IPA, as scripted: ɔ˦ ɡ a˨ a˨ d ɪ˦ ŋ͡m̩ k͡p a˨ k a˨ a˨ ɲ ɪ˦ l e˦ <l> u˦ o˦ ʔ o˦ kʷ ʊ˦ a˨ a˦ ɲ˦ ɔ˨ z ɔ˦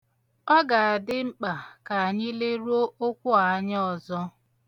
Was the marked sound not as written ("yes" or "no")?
yes